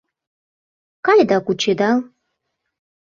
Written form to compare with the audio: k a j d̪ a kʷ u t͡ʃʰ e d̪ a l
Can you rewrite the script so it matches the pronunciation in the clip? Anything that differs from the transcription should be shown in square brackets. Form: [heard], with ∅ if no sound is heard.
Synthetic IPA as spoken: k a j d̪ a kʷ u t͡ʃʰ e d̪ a l